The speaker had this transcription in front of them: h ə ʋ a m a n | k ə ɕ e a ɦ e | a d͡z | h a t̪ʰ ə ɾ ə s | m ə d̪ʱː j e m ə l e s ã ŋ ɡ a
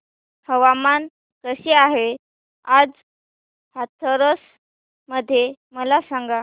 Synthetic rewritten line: h ə ʋ a m a n | k ə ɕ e a ɦ e | a d͡z | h a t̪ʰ ə ɾ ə s | m ə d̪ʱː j e m ə l a s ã ŋ ɡ a